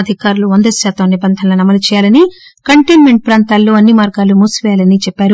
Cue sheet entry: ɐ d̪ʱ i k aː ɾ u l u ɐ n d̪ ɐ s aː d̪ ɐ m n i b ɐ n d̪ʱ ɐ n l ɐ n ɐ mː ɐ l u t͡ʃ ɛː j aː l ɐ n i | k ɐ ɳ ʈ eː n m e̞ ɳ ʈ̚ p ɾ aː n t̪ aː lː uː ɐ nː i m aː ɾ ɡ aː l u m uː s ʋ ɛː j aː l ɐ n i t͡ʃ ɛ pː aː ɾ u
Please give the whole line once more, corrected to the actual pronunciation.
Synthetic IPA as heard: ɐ d̪ʱ i k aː ɾ u l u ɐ n d̪ ɐ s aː t̪ ɐ m n i b ɐ n d̪ʱ ɐ n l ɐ n ɐ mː ɐ l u t͡ʃ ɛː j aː l ɐ n i | k ɐ ɳ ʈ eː n m e̞ ɳ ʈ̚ p ɾ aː n t̪ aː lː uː ɐ nː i m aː ɾ ɡ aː l u m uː s ʋ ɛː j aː l ɐ n i t͡ʃ ɛ pː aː ɾ u